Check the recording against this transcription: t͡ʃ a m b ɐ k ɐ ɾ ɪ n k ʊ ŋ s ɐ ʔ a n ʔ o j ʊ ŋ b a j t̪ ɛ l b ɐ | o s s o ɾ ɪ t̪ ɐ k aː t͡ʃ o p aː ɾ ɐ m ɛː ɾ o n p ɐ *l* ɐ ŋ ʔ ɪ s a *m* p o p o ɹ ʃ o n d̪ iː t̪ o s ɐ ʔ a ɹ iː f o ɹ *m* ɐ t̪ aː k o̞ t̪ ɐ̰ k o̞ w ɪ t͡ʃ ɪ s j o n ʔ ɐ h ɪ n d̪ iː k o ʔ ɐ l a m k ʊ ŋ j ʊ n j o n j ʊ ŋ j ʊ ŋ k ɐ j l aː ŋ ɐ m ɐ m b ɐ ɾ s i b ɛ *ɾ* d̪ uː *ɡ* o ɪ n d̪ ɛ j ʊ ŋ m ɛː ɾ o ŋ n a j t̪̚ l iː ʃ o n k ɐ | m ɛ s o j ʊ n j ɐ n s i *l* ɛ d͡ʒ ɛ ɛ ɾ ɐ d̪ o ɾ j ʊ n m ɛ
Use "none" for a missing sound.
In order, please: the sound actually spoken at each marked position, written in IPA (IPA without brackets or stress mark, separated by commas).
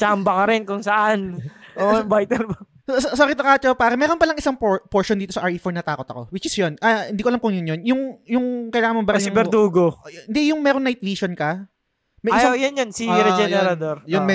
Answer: l, ŋ, n, ɾ, ɡ, ɾ